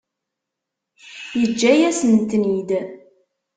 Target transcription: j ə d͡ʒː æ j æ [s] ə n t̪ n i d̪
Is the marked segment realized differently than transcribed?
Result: no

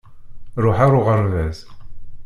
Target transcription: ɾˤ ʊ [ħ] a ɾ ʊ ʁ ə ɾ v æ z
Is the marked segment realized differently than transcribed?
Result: no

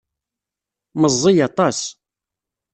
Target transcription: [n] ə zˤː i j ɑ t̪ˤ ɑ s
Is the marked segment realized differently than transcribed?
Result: yes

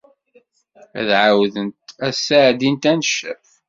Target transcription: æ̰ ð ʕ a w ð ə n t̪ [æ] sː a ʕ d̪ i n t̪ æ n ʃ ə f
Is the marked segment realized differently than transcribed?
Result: no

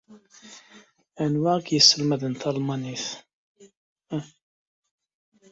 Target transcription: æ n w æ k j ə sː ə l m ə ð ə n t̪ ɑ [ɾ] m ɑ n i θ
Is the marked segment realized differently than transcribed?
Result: yes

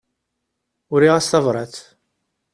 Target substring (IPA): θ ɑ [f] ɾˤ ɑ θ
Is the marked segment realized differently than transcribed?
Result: yes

